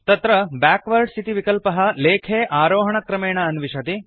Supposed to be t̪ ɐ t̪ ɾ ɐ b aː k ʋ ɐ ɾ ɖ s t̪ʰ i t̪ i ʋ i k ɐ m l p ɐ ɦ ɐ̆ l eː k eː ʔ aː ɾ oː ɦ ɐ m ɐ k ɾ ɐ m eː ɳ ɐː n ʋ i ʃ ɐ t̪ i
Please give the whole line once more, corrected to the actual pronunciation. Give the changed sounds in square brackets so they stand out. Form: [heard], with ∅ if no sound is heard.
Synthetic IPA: t̪ ɐ t̪ ɾ ɐ b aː k ʋ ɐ ɾ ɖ s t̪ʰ i t̪ i ʋ i k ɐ [∅] l p ɐ ɦ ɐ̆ l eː [kʰ] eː ʔ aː ɾ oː ɦ ɐ [ɳ] ɐ k ɾ ɐ m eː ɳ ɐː n ʋ i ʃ ɐ t̪ i